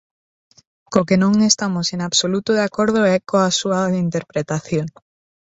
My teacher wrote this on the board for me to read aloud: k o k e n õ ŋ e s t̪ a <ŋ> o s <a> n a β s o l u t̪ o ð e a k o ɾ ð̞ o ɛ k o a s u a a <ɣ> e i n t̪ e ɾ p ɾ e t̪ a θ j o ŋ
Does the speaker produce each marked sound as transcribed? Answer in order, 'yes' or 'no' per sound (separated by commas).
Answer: no, no, no